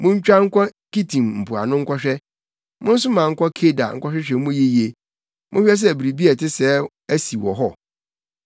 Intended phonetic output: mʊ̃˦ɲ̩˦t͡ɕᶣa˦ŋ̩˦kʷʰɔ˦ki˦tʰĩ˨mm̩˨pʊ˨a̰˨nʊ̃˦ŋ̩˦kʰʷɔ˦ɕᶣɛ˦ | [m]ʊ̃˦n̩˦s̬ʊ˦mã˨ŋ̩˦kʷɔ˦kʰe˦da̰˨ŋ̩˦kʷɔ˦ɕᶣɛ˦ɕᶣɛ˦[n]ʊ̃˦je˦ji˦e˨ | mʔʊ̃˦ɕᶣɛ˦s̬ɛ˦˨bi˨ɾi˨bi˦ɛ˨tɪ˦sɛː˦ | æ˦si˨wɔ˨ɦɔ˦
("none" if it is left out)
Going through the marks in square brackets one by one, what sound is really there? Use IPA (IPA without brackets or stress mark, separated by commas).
m, m